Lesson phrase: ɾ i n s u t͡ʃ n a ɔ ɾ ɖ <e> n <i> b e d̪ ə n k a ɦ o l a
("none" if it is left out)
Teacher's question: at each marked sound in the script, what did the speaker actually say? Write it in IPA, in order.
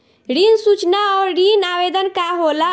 i, a

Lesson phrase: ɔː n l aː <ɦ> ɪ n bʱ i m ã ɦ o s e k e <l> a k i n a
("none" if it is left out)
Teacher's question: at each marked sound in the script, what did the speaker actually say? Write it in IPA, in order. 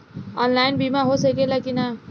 none, l

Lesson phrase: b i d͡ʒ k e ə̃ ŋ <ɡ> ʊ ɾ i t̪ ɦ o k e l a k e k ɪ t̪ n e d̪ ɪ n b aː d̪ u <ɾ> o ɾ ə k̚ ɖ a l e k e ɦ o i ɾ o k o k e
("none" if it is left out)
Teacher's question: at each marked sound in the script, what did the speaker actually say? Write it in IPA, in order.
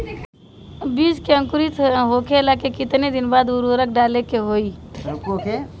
k, ɾ

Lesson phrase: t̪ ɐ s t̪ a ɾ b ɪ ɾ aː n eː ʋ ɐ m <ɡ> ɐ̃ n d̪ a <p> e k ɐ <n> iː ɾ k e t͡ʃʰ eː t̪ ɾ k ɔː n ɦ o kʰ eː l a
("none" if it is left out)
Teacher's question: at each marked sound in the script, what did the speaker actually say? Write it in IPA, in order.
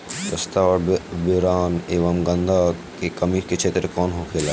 ɡ, k, m

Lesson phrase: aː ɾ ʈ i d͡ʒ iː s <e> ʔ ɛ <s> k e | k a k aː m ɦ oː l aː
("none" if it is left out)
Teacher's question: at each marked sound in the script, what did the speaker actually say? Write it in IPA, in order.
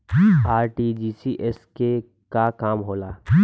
i, s

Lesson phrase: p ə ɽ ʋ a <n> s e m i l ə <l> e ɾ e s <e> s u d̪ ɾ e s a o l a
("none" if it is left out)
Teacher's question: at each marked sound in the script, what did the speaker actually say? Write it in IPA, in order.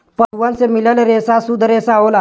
n, l, a

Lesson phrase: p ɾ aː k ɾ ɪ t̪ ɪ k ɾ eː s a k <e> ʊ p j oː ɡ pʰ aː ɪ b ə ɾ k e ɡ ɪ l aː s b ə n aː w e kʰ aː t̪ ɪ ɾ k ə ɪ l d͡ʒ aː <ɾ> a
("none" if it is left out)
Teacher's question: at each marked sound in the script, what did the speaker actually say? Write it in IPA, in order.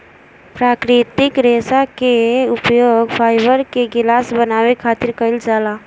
e, l

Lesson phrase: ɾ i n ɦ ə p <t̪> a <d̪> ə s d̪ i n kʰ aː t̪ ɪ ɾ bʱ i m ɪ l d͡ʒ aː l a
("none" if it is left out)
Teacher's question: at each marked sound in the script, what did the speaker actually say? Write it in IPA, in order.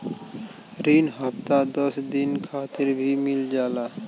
t̪, d̪

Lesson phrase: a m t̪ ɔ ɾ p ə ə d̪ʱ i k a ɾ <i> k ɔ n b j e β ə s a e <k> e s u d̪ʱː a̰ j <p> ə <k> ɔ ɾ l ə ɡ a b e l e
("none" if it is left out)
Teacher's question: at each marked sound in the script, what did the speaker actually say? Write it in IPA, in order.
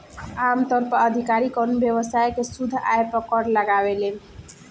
i, k, p, k

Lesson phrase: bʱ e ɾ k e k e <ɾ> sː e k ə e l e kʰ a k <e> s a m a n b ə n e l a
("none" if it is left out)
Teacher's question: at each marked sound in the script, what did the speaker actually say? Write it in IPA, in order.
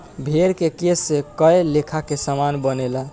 none, e

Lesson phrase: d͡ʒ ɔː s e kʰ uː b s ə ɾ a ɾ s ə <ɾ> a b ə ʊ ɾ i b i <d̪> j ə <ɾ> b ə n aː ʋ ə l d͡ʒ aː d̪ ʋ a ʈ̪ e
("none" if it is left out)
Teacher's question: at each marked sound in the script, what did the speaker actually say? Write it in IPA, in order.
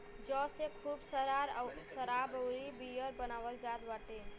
ɾ, none, ɾ

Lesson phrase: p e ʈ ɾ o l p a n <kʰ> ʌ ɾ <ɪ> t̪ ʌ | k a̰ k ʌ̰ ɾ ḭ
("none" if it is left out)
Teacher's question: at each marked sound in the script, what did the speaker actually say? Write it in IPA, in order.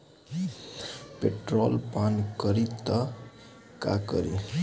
k, i

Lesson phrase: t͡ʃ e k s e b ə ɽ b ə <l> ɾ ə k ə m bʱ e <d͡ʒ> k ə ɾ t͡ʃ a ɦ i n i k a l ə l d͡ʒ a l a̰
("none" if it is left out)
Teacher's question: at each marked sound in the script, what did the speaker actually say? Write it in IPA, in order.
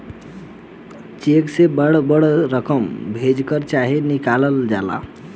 ɽ, d͡ʒ

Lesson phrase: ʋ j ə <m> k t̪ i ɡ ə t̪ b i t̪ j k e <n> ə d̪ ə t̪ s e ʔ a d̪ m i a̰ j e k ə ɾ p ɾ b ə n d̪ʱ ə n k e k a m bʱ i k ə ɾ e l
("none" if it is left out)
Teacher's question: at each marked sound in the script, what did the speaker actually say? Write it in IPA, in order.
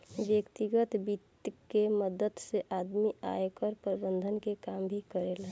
none, m

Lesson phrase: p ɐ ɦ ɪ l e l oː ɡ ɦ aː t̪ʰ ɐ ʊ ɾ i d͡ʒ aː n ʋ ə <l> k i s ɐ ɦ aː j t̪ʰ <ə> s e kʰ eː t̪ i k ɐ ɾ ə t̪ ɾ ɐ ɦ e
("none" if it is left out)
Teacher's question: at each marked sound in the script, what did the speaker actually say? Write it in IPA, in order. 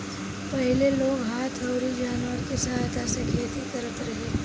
ɾ, a

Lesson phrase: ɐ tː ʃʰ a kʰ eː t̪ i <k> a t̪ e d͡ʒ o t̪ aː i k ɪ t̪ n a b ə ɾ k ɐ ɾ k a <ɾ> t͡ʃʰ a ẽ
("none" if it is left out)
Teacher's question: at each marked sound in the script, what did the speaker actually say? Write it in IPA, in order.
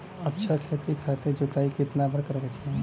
kʰ, none

